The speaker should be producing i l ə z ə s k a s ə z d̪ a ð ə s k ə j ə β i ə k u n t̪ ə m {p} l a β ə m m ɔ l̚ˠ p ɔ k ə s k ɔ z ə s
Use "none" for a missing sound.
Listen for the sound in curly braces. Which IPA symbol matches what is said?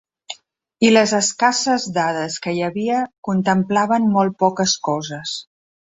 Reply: p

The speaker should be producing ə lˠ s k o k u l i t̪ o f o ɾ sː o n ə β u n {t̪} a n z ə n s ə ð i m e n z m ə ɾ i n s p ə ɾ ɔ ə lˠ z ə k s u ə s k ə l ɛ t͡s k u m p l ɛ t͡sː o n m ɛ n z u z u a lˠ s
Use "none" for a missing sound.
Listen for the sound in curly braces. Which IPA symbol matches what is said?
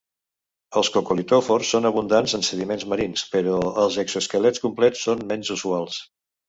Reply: d̪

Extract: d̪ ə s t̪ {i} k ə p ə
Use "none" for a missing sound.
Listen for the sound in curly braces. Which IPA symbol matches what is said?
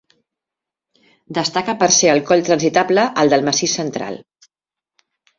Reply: a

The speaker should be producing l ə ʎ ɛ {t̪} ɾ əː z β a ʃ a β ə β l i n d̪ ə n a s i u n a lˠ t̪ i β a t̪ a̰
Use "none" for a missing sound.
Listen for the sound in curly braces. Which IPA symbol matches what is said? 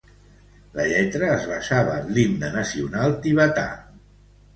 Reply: t̪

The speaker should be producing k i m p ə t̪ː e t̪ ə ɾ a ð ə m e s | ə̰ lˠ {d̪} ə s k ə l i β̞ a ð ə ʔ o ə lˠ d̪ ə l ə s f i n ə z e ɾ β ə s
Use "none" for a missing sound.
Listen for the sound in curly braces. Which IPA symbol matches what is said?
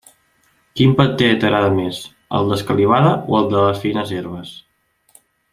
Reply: d̪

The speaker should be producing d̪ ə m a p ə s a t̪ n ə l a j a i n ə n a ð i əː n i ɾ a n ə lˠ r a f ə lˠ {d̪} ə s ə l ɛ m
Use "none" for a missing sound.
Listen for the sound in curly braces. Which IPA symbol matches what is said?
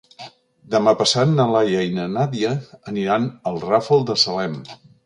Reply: d̪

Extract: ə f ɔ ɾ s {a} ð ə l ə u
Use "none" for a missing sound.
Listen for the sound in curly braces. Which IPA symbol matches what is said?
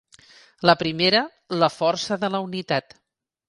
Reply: ə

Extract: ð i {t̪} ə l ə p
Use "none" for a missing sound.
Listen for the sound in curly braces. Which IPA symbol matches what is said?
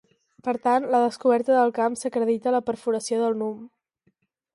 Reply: t̪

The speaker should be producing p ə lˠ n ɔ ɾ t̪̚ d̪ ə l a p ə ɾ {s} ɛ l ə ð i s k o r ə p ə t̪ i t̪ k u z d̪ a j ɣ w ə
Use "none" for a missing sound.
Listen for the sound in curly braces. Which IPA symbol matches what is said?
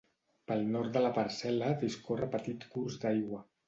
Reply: s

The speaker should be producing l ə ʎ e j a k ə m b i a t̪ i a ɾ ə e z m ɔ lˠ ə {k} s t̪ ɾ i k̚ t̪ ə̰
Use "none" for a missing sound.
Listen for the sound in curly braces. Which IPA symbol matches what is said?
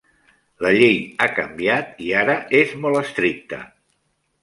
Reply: none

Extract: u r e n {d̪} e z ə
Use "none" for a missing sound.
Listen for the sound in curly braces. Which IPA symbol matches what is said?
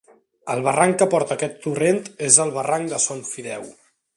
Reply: t̪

